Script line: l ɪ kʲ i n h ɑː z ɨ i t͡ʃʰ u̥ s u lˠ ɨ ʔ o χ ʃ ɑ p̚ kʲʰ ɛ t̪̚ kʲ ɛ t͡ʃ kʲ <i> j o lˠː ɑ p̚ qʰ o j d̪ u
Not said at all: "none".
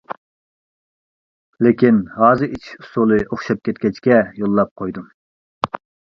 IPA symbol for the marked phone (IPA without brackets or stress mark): ɛ